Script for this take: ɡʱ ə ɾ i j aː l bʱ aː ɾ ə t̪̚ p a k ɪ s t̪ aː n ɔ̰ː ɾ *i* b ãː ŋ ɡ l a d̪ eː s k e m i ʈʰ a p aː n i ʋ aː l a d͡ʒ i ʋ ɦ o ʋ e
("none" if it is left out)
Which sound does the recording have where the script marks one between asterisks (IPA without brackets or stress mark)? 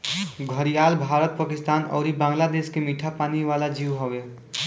i